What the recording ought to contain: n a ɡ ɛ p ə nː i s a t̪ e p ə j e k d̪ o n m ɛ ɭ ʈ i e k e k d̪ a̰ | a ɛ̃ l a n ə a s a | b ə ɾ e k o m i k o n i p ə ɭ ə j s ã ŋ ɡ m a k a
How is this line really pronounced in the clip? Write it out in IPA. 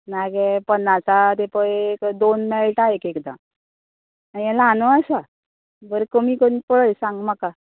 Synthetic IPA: n a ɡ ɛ p ə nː a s a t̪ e p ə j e k d̪ o n m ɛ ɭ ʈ a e k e k d̪ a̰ | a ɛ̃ l a n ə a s a | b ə ɾ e k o m i k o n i p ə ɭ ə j s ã ŋ ɡ m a k a